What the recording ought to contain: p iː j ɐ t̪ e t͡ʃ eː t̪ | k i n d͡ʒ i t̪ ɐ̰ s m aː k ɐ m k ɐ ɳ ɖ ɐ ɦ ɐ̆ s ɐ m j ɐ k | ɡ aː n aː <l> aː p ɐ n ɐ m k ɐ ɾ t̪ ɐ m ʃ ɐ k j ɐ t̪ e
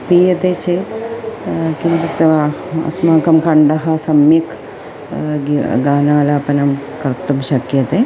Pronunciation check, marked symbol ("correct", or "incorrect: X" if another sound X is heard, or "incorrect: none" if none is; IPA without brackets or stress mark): correct